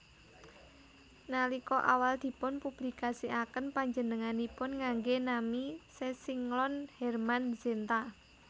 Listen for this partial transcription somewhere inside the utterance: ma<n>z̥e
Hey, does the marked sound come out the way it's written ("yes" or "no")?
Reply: yes